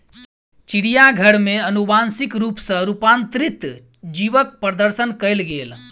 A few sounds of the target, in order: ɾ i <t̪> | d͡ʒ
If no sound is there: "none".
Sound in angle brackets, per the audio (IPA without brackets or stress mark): t̪